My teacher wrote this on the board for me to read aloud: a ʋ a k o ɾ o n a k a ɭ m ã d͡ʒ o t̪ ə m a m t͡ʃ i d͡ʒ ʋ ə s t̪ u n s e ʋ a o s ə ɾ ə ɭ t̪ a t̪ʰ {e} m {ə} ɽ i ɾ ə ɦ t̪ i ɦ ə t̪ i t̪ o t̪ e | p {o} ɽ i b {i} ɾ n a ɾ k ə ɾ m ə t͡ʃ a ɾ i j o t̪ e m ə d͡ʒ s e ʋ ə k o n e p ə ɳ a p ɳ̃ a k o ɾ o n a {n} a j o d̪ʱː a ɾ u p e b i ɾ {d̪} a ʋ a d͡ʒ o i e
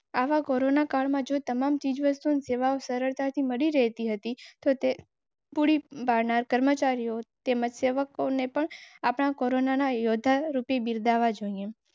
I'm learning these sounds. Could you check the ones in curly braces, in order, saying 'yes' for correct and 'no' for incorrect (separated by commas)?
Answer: no, yes, no, no, yes, yes